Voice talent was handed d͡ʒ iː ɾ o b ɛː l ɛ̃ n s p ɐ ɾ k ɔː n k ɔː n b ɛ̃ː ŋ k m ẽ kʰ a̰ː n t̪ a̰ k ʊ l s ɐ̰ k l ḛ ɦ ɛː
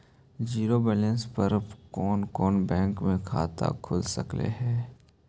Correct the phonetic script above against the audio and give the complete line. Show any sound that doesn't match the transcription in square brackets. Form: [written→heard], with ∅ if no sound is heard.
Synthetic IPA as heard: d͡ʒ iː ɾ o b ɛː l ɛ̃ n s p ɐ ɾ k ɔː n k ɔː n b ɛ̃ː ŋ k m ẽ kʰ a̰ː [n→∅] t̪ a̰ [k→kʰ] ʊ l s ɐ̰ k l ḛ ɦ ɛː